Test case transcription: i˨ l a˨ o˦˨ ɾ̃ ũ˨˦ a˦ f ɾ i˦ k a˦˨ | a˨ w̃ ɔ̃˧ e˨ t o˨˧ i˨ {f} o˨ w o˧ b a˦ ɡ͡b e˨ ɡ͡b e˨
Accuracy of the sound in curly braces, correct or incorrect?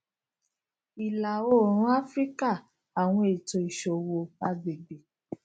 incorrect